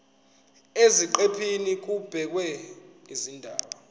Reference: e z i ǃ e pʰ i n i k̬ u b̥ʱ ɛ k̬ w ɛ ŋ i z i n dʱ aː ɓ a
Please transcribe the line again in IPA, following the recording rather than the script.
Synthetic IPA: e z i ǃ e pʰ i n i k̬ u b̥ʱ ɛ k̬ w ɛ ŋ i z i n dʱ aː ɓ a